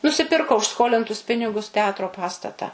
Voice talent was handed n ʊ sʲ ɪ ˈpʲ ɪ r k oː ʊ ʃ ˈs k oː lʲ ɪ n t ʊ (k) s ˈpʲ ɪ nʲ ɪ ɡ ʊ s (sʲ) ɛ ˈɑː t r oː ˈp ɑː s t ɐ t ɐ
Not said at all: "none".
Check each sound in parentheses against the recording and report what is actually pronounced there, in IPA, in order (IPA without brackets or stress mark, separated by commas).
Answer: none, tʲ